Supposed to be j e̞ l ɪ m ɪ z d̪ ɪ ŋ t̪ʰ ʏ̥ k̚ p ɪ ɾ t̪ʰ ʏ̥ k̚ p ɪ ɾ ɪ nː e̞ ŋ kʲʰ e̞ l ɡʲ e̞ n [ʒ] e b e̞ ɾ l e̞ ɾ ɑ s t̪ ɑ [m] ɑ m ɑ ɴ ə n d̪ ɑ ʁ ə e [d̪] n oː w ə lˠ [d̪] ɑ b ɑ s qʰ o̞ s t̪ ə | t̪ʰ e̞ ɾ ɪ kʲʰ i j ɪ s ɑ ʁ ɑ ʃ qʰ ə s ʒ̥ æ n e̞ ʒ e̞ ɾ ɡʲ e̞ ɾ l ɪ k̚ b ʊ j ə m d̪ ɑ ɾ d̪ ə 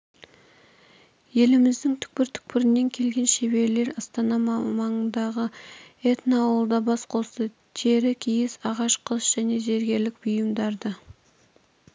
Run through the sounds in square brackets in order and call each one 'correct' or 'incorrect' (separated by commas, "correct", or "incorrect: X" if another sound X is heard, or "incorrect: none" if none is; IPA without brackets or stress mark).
incorrect: ʃ, incorrect: n, incorrect: t̪, correct